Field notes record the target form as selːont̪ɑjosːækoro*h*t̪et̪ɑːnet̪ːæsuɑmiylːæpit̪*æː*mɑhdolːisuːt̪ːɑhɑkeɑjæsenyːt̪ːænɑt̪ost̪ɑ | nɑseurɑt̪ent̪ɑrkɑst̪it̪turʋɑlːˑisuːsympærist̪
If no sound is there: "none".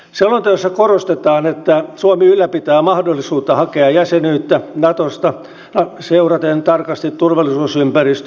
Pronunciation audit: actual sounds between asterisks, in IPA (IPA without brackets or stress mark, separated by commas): s, æː